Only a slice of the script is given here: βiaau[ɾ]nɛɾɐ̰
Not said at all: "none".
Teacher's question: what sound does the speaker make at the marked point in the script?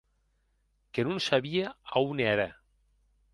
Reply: none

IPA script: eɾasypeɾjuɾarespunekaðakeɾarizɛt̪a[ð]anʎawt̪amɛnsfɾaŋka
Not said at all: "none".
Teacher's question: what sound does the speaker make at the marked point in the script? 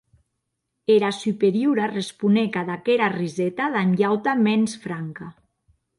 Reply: ð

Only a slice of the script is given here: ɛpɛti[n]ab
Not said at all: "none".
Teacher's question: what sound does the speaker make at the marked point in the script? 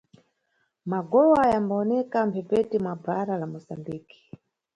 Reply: m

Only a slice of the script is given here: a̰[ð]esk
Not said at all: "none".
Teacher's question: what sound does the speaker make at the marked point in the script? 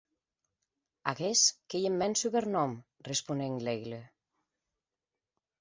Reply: ɣ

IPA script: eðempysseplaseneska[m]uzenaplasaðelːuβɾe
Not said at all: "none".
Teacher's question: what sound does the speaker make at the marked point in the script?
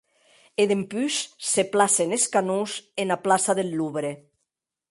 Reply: n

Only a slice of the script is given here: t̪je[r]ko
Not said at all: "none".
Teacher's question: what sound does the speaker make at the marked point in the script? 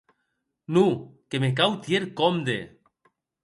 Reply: ɾ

